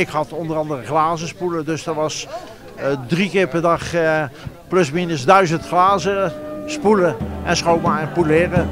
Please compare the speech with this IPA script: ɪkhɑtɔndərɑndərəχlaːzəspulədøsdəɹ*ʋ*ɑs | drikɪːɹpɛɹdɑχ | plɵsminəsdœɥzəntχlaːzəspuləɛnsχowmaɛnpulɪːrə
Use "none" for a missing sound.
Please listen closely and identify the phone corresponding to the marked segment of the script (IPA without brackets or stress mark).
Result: ʋ